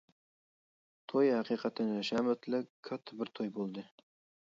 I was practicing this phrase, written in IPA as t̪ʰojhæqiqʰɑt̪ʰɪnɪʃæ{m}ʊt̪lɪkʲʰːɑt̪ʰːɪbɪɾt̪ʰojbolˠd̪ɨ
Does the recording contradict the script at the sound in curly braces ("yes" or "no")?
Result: no